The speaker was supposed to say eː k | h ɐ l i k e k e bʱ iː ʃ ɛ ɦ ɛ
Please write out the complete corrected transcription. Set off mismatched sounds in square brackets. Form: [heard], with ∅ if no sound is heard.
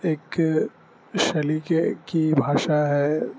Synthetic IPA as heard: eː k | [ʃ] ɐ l i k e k [i] bʱ [aː] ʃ [a] ɦ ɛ